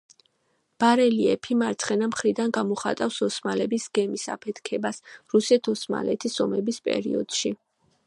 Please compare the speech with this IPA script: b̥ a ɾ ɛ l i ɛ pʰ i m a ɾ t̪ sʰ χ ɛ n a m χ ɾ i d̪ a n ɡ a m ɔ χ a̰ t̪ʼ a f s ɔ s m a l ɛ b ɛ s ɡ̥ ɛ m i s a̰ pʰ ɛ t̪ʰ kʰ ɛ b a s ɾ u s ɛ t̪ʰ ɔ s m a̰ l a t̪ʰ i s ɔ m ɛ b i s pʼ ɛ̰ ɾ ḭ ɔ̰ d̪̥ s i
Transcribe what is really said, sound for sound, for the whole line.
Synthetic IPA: b̥ a ɾ ɛ l i ɛ pʰ i m a ɾ t̪ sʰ χ ɛ n a m χ ɾ i d̪ a n ɡ a m ɔ χ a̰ t̪ʼ a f s ɔ s m a l ɛ b i s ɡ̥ ɛ m i s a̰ pʰ ɛ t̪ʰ kʰ ɛ b a s ɾ u s ɛ t̪ʰ ɔ s m a̰ l ɛ t̪ʰ i s ɔ m ɛ b i s pʼ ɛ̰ ɾ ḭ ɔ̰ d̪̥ ʃ i